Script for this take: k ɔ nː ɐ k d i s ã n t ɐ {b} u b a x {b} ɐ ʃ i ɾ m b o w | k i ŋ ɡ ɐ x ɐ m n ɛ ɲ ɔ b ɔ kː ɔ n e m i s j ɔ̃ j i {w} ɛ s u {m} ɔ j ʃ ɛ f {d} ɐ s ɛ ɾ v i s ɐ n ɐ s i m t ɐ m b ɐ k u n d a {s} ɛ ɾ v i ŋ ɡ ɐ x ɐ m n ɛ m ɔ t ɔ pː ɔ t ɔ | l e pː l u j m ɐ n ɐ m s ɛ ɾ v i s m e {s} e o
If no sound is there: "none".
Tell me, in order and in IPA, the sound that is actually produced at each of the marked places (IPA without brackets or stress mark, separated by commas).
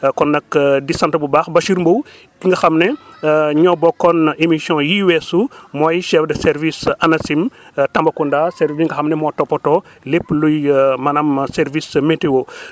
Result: b, b, w, m, d, s, t